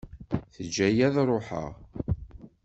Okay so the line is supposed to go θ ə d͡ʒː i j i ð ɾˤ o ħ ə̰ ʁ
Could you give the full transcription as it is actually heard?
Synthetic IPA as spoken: θ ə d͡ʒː æ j æ ð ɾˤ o ħ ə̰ ʁ